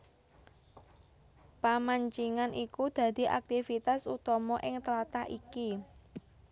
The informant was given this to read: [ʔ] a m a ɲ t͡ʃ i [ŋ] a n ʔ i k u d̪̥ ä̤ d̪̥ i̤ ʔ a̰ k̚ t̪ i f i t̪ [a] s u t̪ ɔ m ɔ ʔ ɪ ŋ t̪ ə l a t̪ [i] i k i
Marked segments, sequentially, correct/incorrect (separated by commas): incorrect, correct, correct, incorrect